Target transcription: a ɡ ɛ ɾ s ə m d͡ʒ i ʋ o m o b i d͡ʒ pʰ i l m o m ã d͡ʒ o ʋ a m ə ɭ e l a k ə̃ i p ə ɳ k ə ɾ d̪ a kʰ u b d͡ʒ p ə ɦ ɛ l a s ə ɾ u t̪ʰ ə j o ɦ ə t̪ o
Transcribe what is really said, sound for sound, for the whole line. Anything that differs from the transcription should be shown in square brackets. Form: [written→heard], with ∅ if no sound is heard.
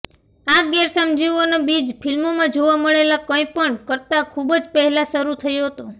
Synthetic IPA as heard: a ɡ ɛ ɾ s ə m d͡ʒ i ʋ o [m→n] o b i d͡ʒ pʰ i l m o m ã d͡ʒ o ʋ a m ə ɭ e l a k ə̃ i p ə ɳ k ə ɾ [d̪→t̪] a kʰ u b d͡ʒ p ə ɦ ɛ l a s ə ɾ u t̪ʰ ə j o ɦ ə t̪ o